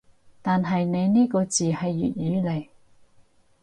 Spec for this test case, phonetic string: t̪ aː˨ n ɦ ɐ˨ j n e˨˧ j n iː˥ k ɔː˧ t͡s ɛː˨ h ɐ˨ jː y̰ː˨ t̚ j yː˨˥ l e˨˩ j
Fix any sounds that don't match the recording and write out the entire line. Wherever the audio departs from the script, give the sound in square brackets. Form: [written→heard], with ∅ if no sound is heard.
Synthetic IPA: t̪ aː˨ n ɦ ɐ˨ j n e˨˧ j n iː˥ k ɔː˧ t͡s [ɛː˨→iː˨] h ɐ˨ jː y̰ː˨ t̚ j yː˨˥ l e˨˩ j